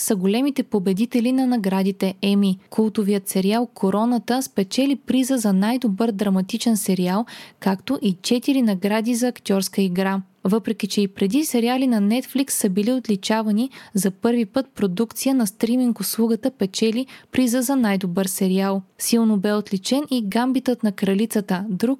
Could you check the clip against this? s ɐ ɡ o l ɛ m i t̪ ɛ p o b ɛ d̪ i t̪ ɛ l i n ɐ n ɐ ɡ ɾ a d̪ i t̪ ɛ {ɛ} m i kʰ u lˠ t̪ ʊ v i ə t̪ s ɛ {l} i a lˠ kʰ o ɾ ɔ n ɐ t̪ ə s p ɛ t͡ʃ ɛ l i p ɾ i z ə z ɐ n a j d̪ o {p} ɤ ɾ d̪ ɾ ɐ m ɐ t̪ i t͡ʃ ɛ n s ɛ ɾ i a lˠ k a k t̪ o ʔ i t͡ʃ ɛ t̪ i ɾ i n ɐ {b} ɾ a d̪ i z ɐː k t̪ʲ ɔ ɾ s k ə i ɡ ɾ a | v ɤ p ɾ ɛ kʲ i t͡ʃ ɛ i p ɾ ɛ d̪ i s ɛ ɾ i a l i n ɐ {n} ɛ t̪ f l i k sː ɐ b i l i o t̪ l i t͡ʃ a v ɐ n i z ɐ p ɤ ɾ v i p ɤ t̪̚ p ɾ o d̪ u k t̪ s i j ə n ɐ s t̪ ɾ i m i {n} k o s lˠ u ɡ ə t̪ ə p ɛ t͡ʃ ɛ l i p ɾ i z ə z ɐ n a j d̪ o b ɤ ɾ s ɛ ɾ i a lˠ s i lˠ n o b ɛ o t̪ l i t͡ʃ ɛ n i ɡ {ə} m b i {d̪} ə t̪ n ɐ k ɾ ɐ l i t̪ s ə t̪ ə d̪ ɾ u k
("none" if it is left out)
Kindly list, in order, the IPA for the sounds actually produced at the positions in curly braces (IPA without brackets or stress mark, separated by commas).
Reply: ɛ, ɾ, b, ɡ, n, ŋ, a, t̪